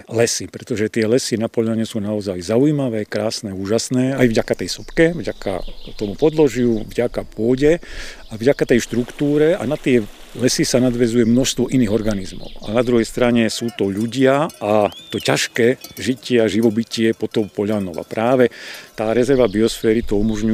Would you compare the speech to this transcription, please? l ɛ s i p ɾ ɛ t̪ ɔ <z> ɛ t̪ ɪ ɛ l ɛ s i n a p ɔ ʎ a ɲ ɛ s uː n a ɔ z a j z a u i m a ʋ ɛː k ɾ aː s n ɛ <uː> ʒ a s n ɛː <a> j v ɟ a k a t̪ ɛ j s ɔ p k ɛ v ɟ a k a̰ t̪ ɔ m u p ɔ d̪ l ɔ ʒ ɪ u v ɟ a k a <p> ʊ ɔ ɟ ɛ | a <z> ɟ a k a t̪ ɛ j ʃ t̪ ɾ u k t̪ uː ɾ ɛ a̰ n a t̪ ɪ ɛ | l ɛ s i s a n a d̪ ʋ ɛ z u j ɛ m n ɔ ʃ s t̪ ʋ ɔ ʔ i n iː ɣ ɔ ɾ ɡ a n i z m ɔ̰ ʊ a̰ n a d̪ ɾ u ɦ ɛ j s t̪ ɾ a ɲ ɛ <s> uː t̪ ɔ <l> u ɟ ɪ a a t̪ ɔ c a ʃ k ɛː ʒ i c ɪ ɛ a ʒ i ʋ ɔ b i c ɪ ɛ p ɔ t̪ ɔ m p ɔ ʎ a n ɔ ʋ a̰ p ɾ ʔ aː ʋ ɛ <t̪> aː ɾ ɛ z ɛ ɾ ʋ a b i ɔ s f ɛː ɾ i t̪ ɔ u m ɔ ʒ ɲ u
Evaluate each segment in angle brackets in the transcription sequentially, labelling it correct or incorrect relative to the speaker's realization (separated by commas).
incorrect, correct, correct, correct, incorrect, correct, incorrect, correct